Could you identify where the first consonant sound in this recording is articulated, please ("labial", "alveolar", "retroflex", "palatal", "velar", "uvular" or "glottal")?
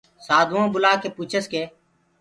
alveolar